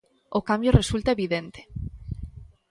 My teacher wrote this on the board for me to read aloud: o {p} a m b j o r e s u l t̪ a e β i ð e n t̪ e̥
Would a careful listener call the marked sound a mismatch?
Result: yes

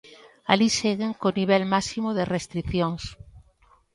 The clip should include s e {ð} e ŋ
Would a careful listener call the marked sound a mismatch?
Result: yes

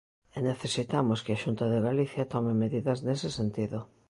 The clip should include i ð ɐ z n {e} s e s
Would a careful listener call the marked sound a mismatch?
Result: no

